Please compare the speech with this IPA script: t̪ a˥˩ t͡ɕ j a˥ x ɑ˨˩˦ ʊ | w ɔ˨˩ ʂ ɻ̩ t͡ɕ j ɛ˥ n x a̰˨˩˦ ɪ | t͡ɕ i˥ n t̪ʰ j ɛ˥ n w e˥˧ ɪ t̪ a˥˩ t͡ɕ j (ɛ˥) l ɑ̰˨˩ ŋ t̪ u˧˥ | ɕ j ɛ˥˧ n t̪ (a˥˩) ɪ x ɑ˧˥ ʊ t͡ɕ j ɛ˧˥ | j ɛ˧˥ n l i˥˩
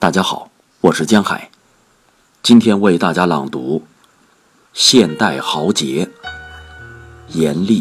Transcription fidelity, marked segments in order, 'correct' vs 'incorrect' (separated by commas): incorrect, correct